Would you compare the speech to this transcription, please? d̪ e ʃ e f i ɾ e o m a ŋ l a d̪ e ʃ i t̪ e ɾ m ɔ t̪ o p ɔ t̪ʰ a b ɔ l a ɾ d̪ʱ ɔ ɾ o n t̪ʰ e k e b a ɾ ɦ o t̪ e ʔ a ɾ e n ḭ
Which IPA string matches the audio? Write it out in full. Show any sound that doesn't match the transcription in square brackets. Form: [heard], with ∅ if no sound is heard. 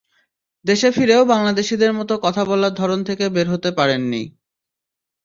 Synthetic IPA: d̪ e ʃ e f i ɾ e o [b] a ŋ l a d̪ e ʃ i [d̪] e ɾ m ɔ t̪ o [k] ɔ t̪ʰ a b ɔ l a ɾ d̪ʱ ɔ ɾ o n t̪ʰ e k e b [e] ɾ ɦ o t̪ e [p] a ɾ e [nː] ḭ